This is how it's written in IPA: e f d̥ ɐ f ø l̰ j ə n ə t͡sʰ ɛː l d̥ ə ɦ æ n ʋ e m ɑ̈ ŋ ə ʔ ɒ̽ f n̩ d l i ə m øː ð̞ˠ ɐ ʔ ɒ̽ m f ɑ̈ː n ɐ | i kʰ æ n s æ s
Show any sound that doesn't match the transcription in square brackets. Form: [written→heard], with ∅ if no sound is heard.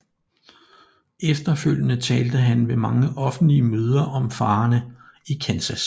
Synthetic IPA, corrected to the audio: e f d̥ ɐ f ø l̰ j ə n ə t͡sʰ ɛː l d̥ ə ɦ æ n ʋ e m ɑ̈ ŋ ə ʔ ɒ̽ f n̩ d l i ə m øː ð̞ˠ ɐ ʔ ɒ̽ m f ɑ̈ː n [ɐ→ə] | i kʰ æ n s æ s

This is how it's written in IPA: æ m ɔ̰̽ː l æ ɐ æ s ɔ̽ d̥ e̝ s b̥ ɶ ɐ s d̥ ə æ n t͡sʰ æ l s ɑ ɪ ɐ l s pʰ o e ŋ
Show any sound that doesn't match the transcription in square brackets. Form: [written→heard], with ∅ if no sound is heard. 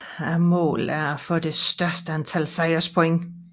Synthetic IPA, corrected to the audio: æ m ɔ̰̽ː l æ ɐ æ [s→f] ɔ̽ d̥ e̝ s [b̥→d̥] ɶ ɐ s d̥ ə æ n t͡sʰ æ l s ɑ ɪ ɐ [l→∅] s pʰ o e ŋ

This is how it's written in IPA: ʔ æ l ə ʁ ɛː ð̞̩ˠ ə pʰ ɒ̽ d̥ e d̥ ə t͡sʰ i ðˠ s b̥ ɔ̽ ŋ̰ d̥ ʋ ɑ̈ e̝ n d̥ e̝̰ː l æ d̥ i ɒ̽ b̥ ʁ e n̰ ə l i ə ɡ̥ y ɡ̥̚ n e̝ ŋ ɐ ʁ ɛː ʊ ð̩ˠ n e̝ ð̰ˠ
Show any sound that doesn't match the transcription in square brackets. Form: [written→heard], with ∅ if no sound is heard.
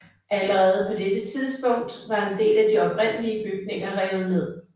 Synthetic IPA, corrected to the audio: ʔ æ l ə ʁ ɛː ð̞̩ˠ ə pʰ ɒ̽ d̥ e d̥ ə t͡sʰ i ðˠ s b̥ ɔ̽ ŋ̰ d̥ ʋ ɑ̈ e̝ n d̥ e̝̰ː l æ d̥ i ɒ̽ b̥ ʁ e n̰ ə l i ə [ɡ̥→b̥] y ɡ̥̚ n e̝ ŋ ɐ ʁ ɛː ʊ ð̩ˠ n e̝ ð̰ˠ

